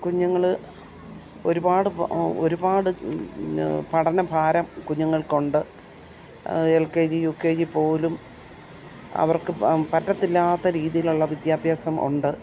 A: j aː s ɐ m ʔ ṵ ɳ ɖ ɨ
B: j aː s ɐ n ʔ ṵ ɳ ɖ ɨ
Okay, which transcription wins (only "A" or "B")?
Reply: A